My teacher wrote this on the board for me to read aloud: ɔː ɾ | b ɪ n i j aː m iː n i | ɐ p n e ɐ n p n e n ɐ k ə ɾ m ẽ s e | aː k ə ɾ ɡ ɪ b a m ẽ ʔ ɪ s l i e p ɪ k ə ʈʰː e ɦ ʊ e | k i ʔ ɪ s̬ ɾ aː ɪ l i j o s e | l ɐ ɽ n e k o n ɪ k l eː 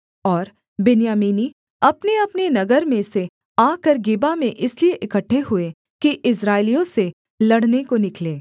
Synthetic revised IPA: ɔː ɾ | b ɪ n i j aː m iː n i | ɐ p n e ɐ p n e n ɐ ɡ ə ɾ m ẽ s e | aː k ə ɾ ɡ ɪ b a m ẽ ʔ ɪ s l i e ʔ ɪ k ə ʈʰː e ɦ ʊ e | k i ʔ ɪ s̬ ɾ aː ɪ l i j õ s e | l ɐ ɽ n e k o n ɪ k l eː